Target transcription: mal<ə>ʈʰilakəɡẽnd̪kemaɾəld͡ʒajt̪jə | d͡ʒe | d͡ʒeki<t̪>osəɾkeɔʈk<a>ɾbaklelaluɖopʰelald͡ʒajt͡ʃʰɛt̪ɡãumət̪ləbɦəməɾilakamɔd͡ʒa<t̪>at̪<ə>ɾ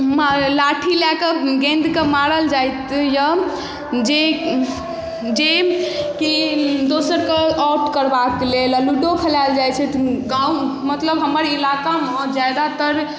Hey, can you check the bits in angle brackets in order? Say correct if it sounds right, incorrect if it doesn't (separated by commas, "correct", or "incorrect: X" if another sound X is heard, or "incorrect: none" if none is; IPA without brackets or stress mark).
incorrect: a, incorrect: d̪, incorrect: ə, incorrect: d̪, correct